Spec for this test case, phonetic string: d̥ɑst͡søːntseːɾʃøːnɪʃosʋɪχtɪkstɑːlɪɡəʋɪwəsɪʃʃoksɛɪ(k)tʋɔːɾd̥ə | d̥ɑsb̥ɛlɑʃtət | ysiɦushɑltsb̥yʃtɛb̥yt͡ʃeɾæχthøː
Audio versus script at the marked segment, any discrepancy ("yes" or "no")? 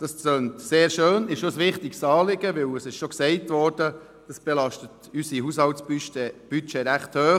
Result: yes